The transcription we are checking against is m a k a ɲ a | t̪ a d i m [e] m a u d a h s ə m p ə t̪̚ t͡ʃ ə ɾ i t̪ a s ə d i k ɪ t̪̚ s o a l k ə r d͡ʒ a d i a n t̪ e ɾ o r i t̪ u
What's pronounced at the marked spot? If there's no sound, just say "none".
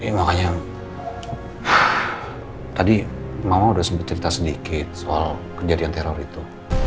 a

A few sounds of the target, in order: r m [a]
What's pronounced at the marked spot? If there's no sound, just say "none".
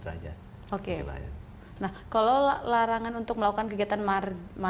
a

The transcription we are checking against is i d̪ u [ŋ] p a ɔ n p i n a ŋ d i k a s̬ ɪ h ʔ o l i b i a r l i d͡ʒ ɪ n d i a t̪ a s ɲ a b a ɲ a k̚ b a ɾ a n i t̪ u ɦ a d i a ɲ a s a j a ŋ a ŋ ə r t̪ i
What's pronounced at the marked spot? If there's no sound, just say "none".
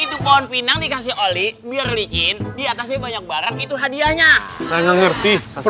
none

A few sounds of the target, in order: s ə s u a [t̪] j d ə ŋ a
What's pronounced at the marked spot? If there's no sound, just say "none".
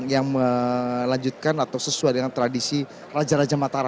none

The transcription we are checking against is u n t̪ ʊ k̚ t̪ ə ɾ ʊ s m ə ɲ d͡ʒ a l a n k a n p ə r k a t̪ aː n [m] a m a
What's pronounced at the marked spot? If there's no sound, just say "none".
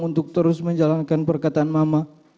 m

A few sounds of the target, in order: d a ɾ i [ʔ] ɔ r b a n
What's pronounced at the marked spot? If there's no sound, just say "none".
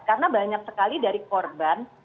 k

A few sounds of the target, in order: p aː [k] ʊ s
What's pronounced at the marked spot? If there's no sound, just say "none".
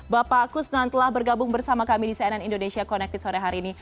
k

